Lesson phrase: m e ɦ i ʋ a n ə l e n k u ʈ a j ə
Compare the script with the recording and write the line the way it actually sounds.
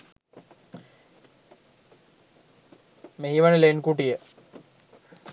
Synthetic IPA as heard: m e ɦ i ʋ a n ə l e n k u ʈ i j ə